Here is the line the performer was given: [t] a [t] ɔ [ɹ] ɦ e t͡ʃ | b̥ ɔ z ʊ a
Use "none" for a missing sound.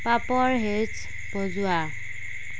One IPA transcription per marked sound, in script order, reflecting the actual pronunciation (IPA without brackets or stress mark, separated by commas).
p, p, ɹ